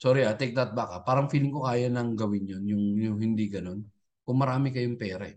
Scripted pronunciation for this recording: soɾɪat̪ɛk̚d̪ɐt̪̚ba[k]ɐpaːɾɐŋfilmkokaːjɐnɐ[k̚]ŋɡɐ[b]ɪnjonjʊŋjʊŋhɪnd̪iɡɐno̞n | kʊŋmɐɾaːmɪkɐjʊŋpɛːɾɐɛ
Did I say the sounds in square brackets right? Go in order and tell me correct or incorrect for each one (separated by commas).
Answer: correct, incorrect, incorrect